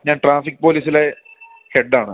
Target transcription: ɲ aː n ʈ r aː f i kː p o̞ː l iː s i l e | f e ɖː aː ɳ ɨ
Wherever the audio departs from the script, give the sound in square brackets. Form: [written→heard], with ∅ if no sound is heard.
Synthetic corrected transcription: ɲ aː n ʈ r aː f i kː p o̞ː l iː s i l e | [f→h] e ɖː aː ɳ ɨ